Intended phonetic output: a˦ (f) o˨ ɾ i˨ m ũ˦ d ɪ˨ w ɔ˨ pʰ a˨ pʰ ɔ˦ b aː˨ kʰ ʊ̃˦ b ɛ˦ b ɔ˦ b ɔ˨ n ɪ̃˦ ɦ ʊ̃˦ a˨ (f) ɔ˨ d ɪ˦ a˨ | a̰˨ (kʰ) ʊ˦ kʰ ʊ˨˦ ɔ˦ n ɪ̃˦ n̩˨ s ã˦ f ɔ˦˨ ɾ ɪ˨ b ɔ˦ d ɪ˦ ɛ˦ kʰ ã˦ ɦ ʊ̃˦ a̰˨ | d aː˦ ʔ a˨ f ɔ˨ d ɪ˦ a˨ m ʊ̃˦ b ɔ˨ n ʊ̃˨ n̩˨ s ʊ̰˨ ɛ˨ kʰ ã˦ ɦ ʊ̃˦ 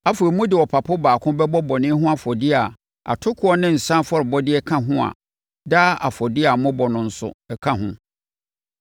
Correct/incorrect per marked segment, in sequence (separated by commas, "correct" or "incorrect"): correct, correct, incorrect